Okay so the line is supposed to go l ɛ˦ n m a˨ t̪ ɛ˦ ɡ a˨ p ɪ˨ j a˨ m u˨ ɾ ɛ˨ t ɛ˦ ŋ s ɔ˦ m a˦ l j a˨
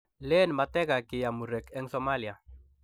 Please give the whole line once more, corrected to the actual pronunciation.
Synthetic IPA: l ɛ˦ n m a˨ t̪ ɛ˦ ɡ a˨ k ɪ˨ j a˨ m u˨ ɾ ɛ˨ k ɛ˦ ŋ s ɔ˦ m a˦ l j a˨